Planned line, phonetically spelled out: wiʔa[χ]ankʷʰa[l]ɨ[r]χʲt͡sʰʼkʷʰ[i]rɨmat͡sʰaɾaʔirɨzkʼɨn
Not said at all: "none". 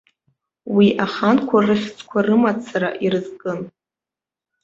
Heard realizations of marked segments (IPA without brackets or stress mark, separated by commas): χ, r, none, a